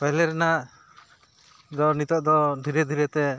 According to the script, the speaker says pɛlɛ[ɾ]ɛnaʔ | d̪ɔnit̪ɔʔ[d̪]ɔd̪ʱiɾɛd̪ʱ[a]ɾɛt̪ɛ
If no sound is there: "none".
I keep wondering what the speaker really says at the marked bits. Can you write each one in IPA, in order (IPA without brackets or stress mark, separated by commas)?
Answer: ɾ, d̪, i